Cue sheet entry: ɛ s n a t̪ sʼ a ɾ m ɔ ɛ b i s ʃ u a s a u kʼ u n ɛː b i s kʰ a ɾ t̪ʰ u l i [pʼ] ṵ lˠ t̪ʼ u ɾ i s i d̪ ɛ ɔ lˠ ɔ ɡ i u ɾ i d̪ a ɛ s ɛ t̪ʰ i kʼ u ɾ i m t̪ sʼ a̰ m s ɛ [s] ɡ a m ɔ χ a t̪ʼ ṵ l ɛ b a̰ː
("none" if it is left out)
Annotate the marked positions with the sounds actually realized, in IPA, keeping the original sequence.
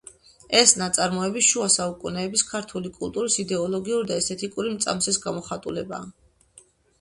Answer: kʼ, s

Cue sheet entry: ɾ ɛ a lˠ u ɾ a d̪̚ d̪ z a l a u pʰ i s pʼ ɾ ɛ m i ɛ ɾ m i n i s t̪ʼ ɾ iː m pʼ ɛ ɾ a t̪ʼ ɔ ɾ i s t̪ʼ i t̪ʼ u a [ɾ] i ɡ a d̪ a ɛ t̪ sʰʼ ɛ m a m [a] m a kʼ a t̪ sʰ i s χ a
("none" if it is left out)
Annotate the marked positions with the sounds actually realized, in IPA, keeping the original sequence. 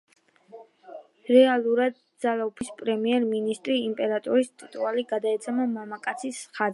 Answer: l, a

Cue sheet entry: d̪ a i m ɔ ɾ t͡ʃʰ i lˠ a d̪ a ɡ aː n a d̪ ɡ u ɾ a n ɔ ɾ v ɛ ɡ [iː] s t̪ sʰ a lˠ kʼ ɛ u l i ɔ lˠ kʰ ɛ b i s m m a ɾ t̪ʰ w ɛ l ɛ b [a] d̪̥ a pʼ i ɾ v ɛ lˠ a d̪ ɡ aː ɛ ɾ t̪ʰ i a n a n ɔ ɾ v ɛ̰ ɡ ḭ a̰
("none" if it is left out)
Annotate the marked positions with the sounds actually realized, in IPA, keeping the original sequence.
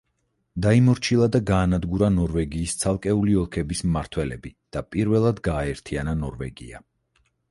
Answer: iː, i

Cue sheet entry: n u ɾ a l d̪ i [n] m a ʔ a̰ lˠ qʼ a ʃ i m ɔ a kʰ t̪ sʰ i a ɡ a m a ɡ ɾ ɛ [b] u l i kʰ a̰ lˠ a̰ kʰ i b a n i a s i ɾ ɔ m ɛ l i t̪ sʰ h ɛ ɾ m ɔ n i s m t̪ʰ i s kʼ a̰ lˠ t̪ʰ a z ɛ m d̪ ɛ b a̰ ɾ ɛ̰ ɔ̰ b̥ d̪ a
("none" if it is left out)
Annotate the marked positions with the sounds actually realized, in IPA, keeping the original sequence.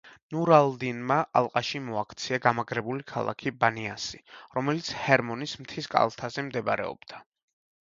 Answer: n, b

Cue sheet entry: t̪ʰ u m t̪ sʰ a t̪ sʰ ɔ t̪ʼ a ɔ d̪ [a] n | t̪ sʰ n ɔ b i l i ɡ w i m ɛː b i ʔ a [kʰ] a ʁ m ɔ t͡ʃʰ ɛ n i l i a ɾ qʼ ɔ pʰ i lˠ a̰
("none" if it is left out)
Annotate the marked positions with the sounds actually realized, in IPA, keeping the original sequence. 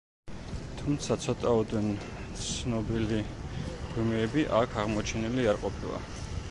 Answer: ɛ, kʰ

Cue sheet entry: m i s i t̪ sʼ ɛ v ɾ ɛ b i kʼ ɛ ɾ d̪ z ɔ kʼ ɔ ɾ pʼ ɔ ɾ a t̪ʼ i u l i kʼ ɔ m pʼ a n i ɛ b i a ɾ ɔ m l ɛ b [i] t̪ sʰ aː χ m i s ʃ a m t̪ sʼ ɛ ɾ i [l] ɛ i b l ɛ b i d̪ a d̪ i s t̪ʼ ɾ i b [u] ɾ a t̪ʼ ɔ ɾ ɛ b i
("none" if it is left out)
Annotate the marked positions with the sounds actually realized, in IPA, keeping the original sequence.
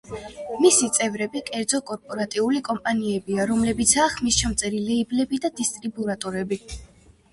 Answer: i, l, u

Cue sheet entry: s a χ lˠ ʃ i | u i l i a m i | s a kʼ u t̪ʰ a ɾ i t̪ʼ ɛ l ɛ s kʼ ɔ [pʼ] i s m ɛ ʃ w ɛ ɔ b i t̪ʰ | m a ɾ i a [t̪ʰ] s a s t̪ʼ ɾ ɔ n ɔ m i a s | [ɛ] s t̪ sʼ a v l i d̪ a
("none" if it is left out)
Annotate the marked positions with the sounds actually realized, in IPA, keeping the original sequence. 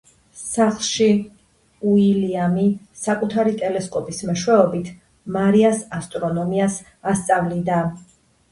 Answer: pʼ, none, a

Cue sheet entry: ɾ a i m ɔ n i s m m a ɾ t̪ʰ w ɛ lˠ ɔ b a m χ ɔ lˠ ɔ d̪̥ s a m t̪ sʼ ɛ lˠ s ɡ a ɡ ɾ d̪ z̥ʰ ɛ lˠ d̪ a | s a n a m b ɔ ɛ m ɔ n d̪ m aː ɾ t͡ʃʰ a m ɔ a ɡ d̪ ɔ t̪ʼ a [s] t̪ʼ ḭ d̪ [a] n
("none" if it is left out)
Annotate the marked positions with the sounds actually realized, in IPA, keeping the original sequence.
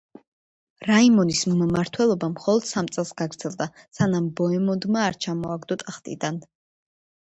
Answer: χ, a

